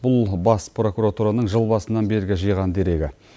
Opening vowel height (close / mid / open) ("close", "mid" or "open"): close